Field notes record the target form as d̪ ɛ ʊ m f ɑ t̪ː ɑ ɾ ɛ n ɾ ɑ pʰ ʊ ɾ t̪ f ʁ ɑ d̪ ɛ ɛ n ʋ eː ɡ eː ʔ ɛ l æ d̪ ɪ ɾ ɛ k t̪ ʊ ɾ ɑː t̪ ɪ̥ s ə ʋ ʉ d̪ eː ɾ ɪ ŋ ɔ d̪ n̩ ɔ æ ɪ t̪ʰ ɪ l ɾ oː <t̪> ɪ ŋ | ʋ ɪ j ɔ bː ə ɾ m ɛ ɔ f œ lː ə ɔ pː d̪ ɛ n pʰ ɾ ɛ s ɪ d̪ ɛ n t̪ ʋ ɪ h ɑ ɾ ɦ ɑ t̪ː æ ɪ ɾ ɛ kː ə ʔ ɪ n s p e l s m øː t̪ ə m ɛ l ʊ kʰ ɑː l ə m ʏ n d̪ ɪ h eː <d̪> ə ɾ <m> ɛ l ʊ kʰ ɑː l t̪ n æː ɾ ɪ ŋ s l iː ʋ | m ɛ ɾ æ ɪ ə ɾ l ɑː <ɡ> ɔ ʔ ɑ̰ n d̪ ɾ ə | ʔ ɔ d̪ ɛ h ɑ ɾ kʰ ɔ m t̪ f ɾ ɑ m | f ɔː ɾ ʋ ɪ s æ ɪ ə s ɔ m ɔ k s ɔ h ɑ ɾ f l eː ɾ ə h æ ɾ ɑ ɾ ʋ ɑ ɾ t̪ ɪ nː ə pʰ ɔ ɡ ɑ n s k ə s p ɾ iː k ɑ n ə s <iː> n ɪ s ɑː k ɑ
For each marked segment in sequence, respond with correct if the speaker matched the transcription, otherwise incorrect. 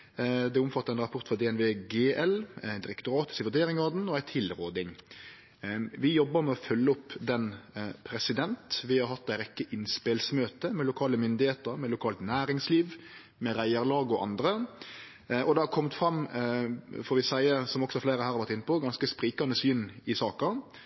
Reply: incorrect, incorrect, correct, correct, incorrect

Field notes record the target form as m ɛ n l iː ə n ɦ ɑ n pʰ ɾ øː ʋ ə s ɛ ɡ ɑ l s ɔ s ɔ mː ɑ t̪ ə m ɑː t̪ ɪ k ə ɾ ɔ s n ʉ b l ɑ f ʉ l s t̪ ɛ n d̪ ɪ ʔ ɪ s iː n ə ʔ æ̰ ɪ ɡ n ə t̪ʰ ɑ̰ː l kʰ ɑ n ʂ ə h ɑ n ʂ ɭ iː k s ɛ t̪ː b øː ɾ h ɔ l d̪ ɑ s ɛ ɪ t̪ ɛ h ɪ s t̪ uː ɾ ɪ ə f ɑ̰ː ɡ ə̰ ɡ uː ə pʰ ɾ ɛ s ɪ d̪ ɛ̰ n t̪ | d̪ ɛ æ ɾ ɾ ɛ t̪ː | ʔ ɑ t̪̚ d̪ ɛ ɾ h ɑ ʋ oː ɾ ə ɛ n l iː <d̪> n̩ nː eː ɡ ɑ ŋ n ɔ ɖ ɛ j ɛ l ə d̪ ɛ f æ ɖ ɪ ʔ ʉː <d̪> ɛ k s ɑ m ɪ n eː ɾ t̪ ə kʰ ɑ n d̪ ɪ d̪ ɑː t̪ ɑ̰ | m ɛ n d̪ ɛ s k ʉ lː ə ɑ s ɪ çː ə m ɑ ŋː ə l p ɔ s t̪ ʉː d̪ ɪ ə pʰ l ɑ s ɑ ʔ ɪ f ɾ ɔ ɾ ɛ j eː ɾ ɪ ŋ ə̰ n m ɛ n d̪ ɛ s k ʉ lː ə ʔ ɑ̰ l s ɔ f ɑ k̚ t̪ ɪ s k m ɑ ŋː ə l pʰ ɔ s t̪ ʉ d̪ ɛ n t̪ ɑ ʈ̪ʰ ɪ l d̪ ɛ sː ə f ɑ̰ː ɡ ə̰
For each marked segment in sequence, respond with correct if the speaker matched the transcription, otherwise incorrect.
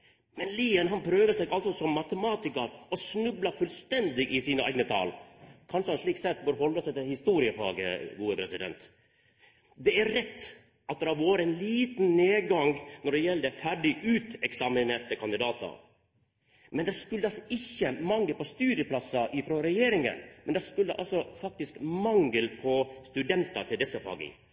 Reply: incorrect, incorrect

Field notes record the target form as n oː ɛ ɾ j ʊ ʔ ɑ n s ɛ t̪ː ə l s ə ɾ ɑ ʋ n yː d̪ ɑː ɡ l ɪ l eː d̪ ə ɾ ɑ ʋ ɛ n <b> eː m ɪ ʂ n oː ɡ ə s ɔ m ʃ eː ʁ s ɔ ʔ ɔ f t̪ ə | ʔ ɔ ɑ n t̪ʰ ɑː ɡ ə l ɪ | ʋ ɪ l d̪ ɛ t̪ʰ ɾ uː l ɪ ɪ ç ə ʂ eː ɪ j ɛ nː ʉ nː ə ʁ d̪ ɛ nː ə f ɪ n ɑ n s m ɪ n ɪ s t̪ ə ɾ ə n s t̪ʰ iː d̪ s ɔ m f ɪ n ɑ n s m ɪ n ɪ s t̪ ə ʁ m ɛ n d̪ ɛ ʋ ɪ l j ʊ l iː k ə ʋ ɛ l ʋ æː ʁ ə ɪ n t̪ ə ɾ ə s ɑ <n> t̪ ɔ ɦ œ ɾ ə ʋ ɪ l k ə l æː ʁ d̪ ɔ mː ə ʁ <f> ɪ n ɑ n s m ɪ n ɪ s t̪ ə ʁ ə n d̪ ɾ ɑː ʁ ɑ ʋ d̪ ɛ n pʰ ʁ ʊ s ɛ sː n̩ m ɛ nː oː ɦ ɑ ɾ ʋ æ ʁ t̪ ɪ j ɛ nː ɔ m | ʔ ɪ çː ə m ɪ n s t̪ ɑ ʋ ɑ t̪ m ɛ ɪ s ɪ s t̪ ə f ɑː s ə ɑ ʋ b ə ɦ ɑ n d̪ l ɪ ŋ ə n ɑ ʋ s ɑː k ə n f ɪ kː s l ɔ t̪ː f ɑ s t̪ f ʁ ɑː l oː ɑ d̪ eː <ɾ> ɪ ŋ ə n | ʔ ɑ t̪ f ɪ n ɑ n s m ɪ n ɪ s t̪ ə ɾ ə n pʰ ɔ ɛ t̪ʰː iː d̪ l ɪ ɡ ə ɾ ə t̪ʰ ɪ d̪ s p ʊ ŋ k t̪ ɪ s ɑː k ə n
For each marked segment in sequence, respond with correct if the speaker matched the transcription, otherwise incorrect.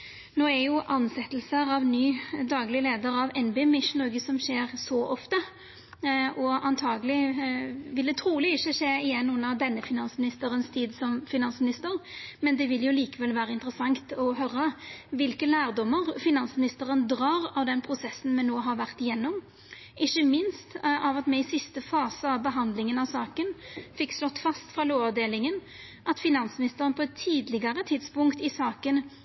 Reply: correct, incorrect, correct, incorrect

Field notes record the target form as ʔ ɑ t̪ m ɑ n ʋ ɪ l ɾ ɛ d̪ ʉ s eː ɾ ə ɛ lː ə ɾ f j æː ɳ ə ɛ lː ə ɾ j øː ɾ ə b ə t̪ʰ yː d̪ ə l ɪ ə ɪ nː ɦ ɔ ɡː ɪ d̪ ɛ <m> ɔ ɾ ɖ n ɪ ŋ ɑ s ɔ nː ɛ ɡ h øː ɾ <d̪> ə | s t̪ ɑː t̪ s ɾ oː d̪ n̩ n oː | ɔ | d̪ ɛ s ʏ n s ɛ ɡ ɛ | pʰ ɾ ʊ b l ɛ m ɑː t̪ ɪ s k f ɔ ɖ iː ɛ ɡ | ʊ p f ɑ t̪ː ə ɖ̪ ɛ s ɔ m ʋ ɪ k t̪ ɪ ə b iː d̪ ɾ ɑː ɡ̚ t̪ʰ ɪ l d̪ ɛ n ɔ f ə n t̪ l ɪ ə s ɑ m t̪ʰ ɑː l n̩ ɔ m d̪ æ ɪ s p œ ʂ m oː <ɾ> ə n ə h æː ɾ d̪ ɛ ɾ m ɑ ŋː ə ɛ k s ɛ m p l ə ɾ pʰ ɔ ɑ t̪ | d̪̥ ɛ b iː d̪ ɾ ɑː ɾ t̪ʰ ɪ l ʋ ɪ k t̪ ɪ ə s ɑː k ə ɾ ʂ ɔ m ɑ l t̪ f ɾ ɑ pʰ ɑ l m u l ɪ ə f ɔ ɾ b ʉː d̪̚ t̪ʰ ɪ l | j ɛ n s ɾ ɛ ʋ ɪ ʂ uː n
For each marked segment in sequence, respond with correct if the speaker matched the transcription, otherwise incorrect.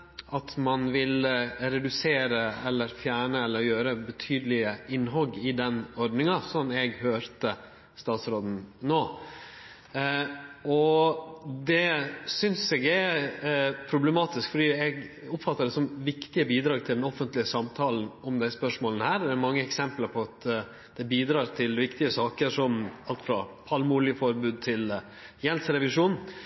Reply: incorrect, incorrect, incorrect

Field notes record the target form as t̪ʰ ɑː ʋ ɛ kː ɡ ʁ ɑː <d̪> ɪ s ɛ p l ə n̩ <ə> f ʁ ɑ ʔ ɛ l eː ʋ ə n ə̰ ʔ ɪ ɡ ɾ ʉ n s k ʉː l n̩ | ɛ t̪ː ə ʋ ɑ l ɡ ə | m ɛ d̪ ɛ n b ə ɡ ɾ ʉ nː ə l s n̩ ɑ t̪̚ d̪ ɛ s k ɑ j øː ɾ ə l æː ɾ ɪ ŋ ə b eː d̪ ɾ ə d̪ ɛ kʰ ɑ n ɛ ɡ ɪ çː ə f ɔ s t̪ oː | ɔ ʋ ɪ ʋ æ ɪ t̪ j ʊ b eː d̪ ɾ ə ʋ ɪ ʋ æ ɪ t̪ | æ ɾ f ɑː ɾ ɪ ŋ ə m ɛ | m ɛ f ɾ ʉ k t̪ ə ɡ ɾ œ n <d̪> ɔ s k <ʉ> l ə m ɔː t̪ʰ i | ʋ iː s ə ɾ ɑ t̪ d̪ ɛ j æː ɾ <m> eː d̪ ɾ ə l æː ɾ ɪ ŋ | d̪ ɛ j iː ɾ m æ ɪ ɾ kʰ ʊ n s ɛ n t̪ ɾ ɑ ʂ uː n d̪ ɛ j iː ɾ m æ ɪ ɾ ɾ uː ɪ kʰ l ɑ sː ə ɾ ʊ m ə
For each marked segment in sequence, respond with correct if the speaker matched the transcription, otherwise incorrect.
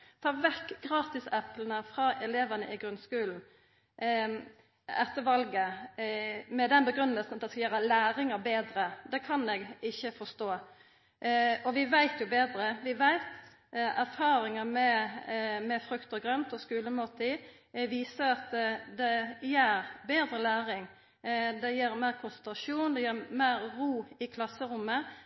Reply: incorrect, correct, incorrect, incorrect, incorrect

